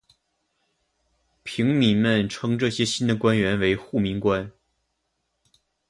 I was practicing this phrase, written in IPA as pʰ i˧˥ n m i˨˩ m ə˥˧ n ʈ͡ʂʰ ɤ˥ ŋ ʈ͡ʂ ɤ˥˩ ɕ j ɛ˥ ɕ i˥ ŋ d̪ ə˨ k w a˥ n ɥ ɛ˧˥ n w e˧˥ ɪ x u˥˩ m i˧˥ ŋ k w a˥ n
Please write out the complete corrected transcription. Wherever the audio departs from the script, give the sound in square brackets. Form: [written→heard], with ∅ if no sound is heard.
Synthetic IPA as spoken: pʰ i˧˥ [n→ŋ] m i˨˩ m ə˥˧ n ʈ͡ʂʰ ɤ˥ ŋ ʈ͡ʂ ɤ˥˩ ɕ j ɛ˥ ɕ i˥ [ŋ→n] d̪ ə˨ k w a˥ n ɥ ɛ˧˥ n w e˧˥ ɪ x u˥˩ m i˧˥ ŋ k w a˥ n